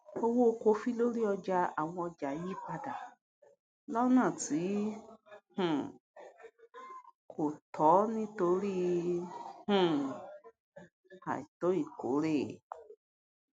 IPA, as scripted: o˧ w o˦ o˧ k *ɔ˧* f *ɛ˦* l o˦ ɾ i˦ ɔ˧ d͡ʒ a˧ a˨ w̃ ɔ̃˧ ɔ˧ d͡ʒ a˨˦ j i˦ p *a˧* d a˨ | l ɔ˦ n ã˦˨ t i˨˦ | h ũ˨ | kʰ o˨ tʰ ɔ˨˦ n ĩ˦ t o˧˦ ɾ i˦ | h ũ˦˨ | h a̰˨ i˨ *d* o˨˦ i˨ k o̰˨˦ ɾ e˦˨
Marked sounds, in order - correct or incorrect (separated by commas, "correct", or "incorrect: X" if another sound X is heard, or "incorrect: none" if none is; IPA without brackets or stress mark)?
incorrect: o˧, incorrect: i˦, correct, incorrect: t